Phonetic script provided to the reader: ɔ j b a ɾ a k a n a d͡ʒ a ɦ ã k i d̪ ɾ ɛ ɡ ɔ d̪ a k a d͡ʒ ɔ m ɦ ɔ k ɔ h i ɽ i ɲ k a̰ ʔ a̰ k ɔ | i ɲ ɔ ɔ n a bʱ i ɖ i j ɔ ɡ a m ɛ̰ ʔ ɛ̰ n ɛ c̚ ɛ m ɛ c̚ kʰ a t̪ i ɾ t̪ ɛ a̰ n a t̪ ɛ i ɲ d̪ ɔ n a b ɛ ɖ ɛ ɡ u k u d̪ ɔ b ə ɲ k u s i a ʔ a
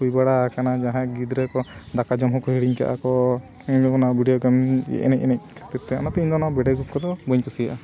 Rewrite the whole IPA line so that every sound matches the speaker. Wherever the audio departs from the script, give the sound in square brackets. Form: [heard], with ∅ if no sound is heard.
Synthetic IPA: [u] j b a [ɽ] a k a n a d͡ʒ a ɦ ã [ɡ] i d̪ ɾ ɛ [k] ɔ d̪ a k a d͡ʒ ɔ m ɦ ɔ k ɔ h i ɽ i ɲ k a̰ ʔ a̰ k ɔ | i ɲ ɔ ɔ n a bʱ i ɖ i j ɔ ɡ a m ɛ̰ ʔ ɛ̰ n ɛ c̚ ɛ [n] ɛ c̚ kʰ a t̪ i ɾ t̪ ɛ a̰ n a t̪ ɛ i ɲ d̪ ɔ n a b ɛ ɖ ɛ ɡ u k [ɔ] d̪ ɔ b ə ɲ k u s i a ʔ a